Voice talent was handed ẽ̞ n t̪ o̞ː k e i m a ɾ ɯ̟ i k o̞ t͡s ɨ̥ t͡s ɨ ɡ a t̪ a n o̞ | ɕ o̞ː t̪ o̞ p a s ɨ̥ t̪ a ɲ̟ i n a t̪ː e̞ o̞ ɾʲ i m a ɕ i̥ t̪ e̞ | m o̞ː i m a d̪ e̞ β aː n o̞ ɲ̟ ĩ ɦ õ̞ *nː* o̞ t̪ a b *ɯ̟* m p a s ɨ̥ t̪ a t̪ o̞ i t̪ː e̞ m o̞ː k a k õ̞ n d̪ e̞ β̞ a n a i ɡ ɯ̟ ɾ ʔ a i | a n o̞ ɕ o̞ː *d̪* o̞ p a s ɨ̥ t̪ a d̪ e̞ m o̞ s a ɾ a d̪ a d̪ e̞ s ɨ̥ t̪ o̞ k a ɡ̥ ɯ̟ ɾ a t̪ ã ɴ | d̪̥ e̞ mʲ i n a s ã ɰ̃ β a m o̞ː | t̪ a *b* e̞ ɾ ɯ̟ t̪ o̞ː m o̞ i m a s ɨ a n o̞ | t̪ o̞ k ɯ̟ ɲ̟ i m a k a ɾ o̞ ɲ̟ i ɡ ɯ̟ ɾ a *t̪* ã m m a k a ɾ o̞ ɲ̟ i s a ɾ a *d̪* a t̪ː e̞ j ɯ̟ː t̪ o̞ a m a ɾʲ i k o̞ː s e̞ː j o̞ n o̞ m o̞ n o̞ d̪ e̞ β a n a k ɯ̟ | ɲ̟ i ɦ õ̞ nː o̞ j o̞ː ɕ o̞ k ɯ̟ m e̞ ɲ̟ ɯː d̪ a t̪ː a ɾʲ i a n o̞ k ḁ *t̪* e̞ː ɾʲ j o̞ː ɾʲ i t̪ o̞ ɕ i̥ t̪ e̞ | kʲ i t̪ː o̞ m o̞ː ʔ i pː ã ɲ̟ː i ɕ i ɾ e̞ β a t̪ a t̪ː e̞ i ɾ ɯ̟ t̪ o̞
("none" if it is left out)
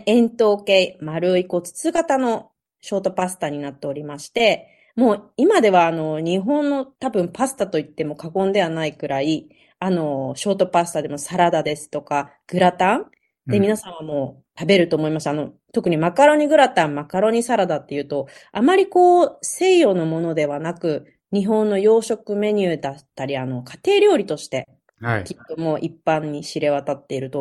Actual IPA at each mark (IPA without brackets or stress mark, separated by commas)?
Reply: nː, ɯ̟̃, t̪, b, t̪, d̪, t̪